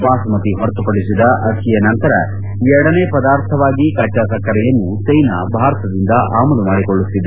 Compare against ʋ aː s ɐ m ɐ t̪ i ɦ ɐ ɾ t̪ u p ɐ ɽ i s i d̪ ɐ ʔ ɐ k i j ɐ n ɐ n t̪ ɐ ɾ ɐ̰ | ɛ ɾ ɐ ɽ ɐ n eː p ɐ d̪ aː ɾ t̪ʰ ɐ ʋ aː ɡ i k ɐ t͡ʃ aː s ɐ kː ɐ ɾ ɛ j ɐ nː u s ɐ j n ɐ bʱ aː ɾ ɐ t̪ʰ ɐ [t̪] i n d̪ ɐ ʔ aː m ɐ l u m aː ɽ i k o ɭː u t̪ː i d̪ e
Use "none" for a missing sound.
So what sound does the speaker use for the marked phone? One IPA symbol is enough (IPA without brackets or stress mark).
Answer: d̪